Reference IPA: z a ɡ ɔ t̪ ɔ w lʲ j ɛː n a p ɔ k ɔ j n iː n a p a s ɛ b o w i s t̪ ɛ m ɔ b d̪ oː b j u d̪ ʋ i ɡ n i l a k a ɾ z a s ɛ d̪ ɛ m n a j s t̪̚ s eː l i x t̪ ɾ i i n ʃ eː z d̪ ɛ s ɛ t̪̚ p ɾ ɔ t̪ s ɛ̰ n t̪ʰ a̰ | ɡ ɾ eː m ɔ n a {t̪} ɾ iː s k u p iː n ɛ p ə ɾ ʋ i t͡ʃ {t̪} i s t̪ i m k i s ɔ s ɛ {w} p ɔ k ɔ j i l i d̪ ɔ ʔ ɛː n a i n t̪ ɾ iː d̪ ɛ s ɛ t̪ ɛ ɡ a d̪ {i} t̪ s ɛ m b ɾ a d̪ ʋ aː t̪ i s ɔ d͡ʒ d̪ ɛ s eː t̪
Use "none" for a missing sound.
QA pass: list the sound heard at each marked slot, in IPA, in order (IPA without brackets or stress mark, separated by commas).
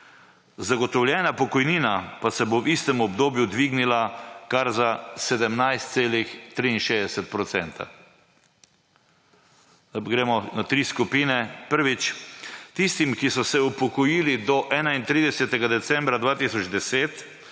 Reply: t̪, t̪, u, ɛ